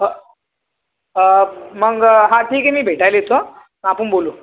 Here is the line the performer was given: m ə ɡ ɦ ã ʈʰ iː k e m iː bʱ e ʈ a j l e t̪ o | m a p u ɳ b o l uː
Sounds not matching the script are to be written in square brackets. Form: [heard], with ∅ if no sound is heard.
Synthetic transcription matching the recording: m ə ɡ ɦ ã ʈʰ iː k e m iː bʱ e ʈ a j l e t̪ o | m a p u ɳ b o l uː

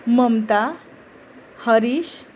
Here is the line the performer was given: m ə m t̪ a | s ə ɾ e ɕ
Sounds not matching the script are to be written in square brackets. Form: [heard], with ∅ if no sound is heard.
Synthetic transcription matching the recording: m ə m t̪ a | [h] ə ɾ [i] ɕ

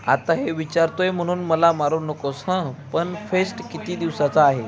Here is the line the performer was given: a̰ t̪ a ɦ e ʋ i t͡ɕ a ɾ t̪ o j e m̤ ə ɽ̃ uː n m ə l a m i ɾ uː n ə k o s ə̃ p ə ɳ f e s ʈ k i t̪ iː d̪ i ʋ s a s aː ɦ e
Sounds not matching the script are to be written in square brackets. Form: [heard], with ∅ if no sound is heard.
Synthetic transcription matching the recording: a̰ t̪ a ɦ e ʋ i t͡ɕ a ɾ t̪ o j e m̤ ə ɽ̃ uː n m ə l a m [a] ɾ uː n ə k o s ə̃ p ə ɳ f e s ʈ k i t̪ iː d̪ i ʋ s a [t͡s] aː ɦ e

